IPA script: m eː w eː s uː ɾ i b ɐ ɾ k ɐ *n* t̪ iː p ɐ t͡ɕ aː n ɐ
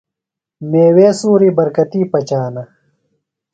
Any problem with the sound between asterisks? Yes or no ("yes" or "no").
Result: yes